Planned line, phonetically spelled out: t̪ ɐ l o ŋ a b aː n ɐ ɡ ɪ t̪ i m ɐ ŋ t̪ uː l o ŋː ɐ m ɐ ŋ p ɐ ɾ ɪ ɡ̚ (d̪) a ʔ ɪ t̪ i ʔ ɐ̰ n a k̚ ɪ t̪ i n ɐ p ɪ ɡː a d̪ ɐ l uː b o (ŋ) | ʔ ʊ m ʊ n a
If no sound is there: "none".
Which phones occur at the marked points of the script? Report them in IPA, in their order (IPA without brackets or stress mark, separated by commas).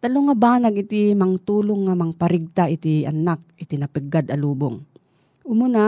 t̪, ŋ